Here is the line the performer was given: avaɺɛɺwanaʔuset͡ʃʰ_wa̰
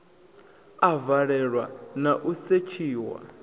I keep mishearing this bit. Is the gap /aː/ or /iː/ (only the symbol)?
iː